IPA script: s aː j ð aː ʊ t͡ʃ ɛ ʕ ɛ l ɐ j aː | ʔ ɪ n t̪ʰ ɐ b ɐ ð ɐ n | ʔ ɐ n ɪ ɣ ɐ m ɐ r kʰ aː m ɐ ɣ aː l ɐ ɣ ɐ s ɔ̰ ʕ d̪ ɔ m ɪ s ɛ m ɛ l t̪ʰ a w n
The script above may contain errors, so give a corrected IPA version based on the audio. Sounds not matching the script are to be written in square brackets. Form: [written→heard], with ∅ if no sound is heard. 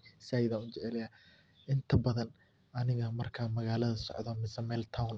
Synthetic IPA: s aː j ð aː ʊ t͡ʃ ɛ ʕ ɛ l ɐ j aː | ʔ ɪ n t̪ʰ ɐ b ɐ ð ɐ n | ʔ ɐ n ɪ ɣ ɐ m ɐ r kʰ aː m ɐ ɣ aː l ɐ [ɣ→ð] ɐ s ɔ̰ ʕ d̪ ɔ m ɪ s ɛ m ɛ l t̪ʰ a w n